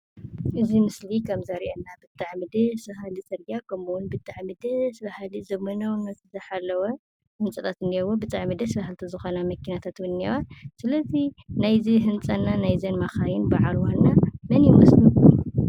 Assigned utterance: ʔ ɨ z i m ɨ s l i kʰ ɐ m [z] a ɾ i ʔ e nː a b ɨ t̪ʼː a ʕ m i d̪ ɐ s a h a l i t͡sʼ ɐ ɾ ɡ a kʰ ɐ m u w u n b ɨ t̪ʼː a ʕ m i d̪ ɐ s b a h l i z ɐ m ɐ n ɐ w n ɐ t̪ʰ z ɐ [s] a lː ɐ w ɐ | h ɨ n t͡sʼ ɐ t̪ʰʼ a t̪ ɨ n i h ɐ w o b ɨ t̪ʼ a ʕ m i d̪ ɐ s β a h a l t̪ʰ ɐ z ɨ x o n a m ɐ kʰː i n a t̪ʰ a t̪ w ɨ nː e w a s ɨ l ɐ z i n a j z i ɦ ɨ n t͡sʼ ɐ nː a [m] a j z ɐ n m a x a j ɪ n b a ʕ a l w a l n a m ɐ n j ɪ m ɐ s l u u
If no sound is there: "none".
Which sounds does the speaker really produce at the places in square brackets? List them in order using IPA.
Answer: z, ħ, n

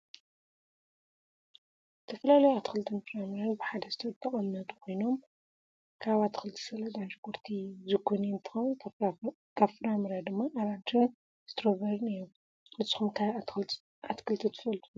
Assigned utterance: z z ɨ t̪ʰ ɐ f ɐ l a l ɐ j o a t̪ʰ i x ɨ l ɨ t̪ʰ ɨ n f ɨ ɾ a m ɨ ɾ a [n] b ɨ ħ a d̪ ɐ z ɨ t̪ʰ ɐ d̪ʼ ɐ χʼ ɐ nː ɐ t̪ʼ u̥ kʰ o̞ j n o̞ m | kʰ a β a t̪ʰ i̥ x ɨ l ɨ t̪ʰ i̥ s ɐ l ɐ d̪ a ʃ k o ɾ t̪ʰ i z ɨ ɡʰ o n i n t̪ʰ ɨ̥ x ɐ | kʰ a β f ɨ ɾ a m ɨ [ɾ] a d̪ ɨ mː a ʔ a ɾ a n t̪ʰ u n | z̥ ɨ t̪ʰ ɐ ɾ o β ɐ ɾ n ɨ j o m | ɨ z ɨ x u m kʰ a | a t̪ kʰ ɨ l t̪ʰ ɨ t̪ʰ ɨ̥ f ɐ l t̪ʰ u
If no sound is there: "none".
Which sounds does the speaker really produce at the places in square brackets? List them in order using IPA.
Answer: n, ɾ

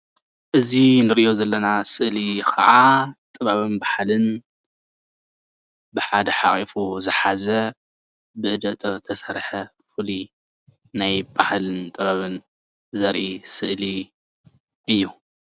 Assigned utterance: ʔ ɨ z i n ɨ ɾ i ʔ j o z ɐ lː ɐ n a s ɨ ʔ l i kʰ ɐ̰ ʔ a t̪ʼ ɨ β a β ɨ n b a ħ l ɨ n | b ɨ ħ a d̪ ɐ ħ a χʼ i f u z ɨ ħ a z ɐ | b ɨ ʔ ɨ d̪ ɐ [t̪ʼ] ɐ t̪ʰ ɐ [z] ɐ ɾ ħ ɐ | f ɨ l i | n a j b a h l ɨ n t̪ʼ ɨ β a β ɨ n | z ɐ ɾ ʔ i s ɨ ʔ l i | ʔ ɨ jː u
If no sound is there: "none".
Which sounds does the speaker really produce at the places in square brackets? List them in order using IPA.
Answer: t̪ʼ, s

